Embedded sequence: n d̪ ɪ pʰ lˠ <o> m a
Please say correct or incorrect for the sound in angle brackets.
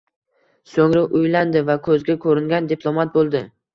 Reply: correct